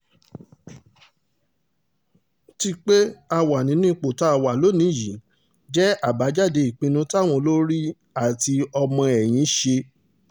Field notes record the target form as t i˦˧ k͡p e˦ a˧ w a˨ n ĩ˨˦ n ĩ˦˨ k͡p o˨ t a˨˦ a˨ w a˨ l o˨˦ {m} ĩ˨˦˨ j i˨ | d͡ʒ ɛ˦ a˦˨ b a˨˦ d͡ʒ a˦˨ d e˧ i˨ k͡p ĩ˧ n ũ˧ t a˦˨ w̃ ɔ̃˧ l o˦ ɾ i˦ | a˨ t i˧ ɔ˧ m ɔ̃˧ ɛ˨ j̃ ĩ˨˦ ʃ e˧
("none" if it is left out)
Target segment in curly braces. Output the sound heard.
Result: n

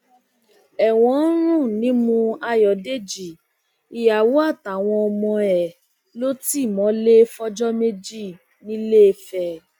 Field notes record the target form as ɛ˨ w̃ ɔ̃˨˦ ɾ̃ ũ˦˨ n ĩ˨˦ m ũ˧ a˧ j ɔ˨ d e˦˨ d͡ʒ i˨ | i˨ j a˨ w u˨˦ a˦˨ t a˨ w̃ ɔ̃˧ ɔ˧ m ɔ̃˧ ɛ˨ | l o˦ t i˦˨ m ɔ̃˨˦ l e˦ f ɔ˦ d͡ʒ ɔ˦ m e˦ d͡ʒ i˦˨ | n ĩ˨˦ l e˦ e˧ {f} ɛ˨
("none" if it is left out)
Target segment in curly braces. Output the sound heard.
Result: f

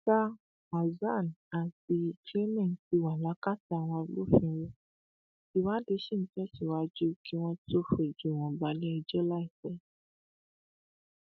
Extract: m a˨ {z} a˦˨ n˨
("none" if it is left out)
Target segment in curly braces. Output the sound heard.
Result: z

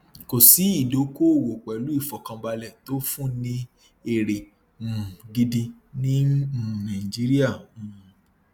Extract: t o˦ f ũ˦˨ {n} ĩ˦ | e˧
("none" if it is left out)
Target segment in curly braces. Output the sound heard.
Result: n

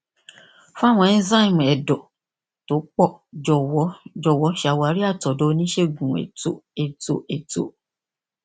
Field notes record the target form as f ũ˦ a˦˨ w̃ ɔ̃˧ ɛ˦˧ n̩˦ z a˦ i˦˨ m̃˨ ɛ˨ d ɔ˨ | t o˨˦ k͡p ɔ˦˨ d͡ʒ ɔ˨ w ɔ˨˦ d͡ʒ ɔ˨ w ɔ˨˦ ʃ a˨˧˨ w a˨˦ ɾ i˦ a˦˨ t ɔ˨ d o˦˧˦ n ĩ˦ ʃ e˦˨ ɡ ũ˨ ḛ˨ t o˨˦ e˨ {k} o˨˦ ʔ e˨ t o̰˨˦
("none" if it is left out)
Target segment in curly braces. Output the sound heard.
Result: t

